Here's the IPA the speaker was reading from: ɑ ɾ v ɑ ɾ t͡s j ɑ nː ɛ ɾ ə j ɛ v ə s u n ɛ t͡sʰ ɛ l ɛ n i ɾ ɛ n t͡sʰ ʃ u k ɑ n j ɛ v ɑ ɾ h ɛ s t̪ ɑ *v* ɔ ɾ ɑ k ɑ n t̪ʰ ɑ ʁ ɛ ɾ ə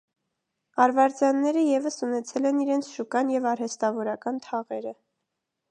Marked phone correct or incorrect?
correct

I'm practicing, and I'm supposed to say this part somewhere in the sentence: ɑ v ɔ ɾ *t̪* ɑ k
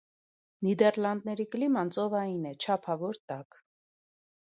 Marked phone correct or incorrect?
correct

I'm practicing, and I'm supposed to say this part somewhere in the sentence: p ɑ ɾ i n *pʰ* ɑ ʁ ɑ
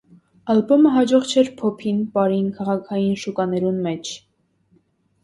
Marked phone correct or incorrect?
incorrect: kʰ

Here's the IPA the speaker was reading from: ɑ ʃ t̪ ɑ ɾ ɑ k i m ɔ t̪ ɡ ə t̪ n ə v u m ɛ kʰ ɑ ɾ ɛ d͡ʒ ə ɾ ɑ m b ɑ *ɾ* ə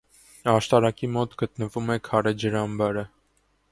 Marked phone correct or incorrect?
correct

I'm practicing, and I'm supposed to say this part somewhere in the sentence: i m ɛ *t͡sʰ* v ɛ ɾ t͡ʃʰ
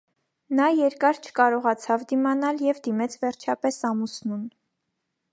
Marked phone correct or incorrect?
correct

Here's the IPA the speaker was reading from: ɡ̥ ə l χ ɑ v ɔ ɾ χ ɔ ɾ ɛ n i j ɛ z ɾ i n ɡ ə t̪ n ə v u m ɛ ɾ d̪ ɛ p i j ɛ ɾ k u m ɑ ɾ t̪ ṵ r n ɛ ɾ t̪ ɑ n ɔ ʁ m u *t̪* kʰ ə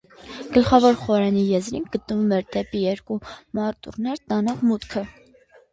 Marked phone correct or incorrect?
correct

